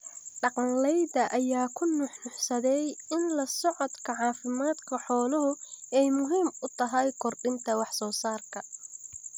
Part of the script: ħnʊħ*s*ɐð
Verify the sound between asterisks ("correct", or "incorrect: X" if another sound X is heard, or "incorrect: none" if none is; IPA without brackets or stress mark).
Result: correct